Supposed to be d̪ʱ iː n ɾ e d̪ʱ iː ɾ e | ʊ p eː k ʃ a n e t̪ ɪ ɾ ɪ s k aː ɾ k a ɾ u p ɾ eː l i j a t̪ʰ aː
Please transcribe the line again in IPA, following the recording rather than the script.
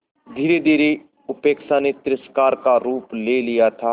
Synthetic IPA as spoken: d̪ʱ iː ɾ e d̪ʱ iː ɾ e | ʊ p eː k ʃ a n e t̪ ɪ ɾ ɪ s k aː ɾ k a ɾ uː p l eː l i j a t̪ʰ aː